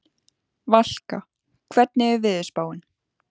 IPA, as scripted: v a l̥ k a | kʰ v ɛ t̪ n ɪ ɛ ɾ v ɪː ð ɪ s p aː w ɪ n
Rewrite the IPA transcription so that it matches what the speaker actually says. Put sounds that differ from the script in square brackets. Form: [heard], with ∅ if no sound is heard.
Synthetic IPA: v a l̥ k a | kʰ v ɛ t̪ n ɪ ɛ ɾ v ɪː ð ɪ s p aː w ɪ n